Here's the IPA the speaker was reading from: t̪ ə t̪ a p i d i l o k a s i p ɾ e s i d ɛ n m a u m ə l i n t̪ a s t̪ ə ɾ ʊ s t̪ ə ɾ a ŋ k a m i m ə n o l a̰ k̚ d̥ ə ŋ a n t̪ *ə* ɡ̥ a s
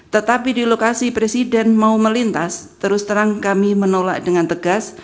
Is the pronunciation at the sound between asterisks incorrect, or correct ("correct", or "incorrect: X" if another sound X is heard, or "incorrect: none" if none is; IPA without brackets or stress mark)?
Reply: correct